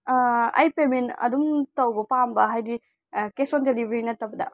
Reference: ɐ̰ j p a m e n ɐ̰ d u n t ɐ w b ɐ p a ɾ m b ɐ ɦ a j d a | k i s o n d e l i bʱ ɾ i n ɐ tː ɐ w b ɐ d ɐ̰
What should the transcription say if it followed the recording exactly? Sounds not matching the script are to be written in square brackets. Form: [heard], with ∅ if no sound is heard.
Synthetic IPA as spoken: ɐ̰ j p [e] m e n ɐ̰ d u [m] t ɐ w b ɐ p a [∅] m b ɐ ɦ a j d [i] | k [e] s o n d e l i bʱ ɾ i n ɐ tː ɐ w b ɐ d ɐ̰